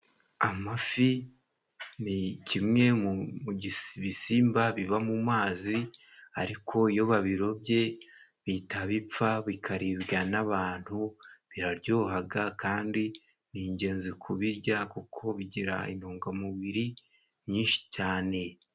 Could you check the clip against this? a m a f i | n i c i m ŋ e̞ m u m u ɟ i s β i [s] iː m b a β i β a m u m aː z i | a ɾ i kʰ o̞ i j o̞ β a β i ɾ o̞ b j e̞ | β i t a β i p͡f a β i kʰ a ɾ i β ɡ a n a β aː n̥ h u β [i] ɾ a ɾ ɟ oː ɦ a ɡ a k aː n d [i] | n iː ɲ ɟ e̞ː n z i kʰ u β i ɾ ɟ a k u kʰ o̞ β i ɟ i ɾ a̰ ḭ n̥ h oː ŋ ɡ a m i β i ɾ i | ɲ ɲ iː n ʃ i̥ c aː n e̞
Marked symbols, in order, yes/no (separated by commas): yes, yes, yes